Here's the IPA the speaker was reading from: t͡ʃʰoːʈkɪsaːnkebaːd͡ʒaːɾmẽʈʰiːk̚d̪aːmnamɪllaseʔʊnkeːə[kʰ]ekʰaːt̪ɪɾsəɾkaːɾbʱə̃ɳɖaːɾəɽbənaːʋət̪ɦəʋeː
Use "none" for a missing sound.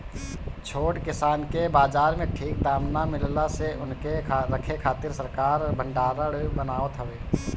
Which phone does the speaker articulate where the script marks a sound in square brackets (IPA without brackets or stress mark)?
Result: kʰ